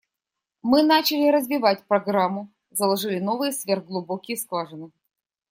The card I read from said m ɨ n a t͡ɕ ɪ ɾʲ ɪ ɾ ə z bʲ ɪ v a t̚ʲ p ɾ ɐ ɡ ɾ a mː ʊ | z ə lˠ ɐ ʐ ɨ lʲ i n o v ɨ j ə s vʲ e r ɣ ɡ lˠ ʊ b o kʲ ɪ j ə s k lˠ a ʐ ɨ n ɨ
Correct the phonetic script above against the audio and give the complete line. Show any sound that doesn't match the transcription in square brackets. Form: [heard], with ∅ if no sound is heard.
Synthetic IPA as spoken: m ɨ n a t͡ɕ ɪ [lʲ] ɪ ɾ ə z [vʲ] ɪ v a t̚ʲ p ɾ ɐ ɡ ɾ a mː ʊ | z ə lˠ ɐ ʐ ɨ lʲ [ɪ] n o v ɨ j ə s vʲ e r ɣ ɡ lˠ ʊ b o kʲ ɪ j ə s k lˠ a ʐ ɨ n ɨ